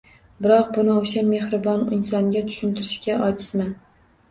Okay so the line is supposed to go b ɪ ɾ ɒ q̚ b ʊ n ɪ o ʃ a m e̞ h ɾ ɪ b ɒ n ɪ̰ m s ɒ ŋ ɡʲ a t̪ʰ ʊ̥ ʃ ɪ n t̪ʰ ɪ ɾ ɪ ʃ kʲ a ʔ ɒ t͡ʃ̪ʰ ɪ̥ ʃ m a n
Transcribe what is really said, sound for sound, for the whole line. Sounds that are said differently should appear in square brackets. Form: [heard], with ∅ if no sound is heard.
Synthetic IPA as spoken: b ɪ ɾ ɒ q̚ b ʊ n ɪ o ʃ a m e̞ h ɾ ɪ b ɒ n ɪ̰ [n] s ɒ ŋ ɡʲ a t̪ʰ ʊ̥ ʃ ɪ n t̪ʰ ɪ ɾ ɪ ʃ kʲ a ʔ ɒ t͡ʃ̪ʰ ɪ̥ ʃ m a n